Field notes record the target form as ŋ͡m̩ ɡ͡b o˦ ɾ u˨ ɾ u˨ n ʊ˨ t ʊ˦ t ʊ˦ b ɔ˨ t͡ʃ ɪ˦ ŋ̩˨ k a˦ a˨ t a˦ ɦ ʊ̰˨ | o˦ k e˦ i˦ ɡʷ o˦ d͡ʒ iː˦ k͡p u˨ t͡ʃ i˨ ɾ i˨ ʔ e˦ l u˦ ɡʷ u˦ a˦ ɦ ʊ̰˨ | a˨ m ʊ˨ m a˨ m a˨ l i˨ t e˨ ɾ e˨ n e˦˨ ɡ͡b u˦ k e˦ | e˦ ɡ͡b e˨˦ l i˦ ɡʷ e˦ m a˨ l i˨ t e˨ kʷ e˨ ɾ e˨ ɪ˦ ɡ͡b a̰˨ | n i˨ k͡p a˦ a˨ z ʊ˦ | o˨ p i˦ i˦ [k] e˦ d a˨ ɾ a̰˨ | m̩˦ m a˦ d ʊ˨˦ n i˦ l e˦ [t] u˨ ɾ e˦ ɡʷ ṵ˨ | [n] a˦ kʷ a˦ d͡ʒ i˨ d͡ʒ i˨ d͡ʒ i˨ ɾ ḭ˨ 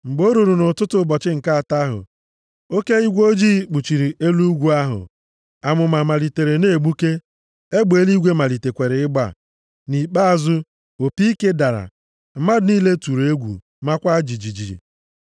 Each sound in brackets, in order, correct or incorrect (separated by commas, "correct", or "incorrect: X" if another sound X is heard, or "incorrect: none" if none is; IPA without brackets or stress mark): correct, correct, incorrect: m